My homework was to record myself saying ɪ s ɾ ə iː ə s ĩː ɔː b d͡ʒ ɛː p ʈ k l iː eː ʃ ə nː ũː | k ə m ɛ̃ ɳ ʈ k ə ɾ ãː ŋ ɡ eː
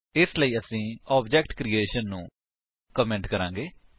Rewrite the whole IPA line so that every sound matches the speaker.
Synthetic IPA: ɪ s l ə iː ə s ĩː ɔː b d͡ʒ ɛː k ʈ k ɾ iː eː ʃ ə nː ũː | k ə m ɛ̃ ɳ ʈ k ə ɾ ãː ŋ ɡ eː